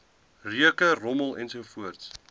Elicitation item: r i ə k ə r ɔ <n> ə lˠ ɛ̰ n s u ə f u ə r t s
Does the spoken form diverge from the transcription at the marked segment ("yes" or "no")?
yes